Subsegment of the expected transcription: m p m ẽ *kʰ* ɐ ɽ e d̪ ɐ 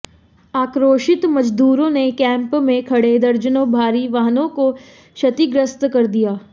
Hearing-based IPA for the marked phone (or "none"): kʰ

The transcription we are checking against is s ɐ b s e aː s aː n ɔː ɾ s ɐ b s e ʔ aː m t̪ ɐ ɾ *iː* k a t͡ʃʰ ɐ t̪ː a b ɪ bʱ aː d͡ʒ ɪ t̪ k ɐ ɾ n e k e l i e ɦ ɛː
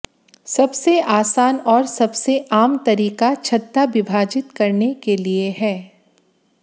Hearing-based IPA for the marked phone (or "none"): iː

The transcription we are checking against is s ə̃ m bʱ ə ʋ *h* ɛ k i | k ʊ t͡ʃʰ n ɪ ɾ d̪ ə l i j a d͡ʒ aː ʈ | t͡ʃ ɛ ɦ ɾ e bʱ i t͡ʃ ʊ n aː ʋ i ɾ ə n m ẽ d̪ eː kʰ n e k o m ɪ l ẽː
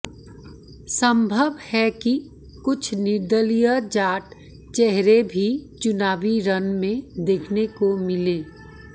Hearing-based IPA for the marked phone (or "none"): h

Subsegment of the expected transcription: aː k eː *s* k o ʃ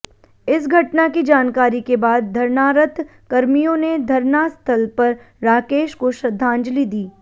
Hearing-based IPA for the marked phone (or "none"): ʃ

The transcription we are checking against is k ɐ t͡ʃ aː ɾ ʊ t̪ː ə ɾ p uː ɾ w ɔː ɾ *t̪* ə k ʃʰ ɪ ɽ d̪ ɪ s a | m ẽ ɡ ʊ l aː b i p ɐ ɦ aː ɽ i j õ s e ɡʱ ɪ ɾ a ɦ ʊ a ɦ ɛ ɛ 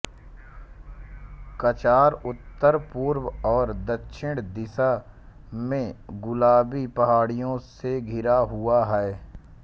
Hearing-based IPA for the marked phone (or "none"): d̪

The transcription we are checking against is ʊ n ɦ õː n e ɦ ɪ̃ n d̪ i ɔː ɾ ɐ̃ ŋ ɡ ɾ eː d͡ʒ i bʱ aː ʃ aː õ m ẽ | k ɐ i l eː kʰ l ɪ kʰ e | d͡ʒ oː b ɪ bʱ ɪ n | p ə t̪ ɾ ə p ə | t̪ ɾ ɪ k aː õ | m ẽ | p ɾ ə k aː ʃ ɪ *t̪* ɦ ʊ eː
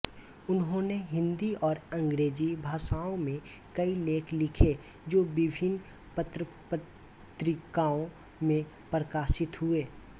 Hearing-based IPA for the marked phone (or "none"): t̪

